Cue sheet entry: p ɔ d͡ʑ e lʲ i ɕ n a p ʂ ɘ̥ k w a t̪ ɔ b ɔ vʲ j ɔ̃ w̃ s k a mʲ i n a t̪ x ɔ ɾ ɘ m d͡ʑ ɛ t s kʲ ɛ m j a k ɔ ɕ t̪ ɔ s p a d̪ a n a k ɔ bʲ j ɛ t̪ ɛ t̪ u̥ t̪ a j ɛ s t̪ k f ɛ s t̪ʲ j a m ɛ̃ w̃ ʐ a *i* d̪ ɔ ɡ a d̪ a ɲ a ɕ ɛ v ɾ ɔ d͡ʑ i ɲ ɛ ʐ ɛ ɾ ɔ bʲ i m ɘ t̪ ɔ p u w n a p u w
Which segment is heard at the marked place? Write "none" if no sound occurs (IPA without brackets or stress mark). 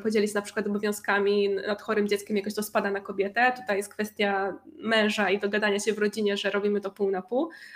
i